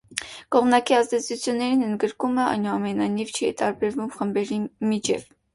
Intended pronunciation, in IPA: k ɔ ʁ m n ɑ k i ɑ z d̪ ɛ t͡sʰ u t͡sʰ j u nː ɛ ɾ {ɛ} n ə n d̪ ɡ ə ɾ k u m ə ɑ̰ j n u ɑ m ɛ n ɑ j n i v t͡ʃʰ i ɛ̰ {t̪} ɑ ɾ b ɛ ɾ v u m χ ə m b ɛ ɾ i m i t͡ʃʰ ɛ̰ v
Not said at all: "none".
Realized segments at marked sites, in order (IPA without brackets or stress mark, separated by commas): i, t̪